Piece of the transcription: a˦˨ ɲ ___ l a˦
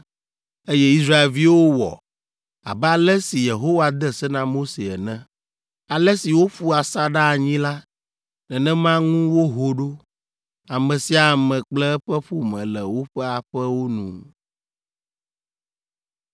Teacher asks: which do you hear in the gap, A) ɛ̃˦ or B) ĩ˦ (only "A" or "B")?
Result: B